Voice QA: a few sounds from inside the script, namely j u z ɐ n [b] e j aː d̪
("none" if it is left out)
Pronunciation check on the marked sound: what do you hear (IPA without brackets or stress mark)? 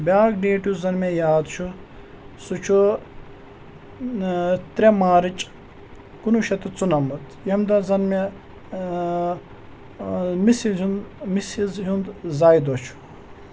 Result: m